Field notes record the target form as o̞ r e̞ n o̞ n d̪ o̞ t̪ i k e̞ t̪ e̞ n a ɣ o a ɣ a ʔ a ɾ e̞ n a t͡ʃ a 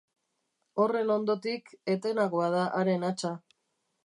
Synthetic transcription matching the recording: o̞ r e̞ n o̞ n d̪ o̞ t̪ i k e̞ t̪ e̞ n a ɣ o a ð a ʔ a ɾ e̞ n a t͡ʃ a